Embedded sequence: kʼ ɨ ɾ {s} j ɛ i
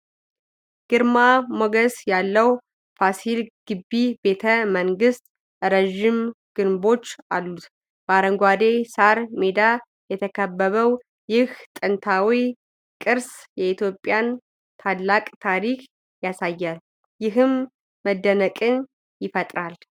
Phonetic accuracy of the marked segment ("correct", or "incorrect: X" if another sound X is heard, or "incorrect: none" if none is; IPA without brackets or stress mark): correct